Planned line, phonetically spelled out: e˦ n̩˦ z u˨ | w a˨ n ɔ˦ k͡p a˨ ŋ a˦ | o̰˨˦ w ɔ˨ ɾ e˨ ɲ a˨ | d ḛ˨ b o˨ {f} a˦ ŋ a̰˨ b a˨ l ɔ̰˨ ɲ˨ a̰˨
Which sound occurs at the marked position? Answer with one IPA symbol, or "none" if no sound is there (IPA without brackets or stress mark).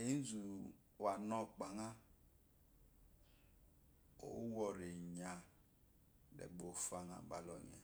f